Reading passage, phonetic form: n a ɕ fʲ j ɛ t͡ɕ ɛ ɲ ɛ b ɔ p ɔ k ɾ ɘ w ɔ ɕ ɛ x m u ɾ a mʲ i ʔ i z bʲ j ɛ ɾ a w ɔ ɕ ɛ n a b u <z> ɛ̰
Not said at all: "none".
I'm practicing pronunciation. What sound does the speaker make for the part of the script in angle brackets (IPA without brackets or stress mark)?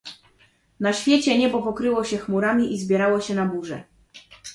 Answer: ʐ